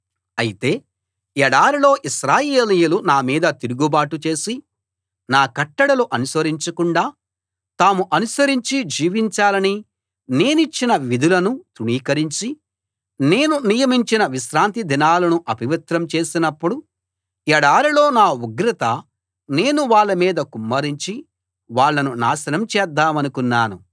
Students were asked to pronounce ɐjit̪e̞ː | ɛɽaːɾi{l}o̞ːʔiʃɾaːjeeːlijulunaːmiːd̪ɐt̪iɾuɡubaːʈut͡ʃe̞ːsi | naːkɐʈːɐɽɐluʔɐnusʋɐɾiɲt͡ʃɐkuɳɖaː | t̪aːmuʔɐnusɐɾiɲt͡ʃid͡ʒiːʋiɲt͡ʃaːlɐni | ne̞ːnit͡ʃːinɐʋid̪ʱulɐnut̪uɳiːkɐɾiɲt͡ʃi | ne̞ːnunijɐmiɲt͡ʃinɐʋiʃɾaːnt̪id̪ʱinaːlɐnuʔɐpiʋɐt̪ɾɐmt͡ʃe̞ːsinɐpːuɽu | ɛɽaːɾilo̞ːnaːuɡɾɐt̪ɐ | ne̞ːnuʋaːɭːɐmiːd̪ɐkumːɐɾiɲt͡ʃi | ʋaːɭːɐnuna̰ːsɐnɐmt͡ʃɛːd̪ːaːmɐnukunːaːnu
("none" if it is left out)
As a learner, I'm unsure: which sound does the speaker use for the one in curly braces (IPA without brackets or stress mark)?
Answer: l